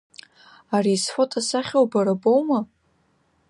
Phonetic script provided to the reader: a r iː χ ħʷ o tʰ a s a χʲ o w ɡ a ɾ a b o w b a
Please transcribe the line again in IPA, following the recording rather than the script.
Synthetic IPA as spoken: a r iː s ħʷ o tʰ a s a χʲ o w b a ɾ a b o w m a

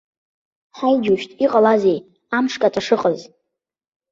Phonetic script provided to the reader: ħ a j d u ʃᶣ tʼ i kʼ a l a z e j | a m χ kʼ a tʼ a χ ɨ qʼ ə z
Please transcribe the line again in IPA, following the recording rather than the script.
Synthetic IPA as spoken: ħ a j d͡ʒ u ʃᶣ tʼ i qʼ a l a z e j | a m ʂ kʼ a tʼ a ʂ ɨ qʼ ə z

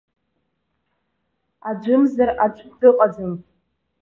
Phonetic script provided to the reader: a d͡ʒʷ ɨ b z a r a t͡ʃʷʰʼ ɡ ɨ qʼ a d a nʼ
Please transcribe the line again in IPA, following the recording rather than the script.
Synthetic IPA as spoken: a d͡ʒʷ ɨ m z a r a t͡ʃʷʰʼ d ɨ qʼ a d͡z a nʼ

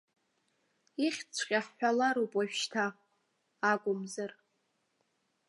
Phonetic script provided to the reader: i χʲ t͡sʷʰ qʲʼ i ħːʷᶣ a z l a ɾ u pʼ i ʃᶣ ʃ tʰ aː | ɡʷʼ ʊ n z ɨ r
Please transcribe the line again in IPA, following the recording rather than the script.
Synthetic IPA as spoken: i χʲ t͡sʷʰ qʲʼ a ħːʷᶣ a l a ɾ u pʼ a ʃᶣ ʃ tʰ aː | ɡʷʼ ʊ m z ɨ r

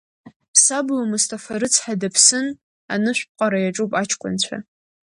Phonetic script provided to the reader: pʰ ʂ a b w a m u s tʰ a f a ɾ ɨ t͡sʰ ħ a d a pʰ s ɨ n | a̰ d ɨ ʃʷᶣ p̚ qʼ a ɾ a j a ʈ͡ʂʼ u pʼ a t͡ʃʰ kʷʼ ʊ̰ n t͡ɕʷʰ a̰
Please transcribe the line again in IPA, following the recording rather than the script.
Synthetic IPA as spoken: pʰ s a b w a m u s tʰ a f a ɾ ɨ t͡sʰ ħ a d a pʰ s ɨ n | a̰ n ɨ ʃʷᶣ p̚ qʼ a ɾ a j a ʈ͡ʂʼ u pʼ a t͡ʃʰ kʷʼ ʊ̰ n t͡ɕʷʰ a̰

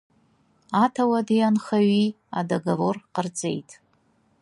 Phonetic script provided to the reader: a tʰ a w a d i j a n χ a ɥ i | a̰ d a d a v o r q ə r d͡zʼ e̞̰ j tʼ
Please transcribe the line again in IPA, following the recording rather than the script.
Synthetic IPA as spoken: a tʰ a w a d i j a n χ a ɥ i | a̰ d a ɡ a v o r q ə r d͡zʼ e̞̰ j tʼ

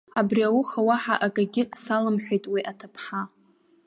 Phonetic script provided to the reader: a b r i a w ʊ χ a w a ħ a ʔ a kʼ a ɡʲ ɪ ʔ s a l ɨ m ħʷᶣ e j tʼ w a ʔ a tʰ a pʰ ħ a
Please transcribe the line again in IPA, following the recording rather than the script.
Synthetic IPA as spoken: a b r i a w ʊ χ a w a ħ a ʔ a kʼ a ɡʲ ɪ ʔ s a l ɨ m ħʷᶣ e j tʼ w i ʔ a tʰ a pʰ ħ a

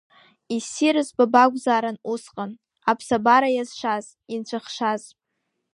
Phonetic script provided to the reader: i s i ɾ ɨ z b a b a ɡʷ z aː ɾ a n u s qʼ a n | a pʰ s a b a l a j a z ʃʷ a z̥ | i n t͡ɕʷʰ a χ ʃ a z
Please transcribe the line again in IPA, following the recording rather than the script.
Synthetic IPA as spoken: i s i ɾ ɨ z b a b a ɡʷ z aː ɾ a n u s qʼ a n | a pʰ s a b a ɾ a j a z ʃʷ a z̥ | i n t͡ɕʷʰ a χ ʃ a z

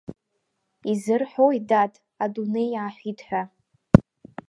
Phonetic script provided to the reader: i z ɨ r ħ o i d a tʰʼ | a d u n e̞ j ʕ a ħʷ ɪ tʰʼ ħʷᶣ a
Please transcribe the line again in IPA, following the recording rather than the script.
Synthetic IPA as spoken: i z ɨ r ħ o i d a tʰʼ | a d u n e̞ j ʕ a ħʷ i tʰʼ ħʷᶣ a

